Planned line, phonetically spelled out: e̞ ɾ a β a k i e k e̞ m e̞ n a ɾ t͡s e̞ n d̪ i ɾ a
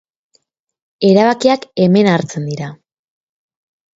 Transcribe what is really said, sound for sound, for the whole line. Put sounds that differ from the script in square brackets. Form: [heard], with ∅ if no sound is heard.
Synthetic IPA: e̞ ɾ a β a k i [a] k e̞ m e̞ n a ɾ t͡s e̞ n d̪ i ɾ a